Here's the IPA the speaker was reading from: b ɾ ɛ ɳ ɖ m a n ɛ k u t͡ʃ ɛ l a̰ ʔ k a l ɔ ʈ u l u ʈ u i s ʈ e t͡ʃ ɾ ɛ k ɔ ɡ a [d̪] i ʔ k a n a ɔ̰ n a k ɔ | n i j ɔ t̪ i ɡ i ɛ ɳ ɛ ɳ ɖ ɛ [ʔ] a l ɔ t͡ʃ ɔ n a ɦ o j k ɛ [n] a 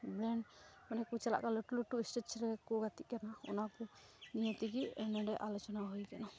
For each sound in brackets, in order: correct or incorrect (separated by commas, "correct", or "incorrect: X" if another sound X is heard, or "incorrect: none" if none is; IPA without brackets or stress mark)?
incorrect: t̪, correct, correct